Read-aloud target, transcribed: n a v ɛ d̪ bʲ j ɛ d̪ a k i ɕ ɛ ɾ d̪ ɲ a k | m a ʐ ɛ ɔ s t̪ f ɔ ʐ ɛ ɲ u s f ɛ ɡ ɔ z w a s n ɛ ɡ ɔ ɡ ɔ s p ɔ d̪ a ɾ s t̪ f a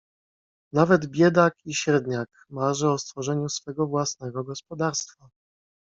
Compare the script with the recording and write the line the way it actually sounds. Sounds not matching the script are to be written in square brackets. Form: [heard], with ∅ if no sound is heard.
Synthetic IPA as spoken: n a v ɛ d̪ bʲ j ɛ d̪ a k i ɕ ɛ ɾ d̪ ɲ a k | m a ʐ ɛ ɔ s t̪ f ɔ ʐ ɛ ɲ u s f ɛ ɡ ɔ [v] w a s n ɛ ɡ ɔ ɡ ɔ s p ɔ d̪ a ɾ s t̪ f a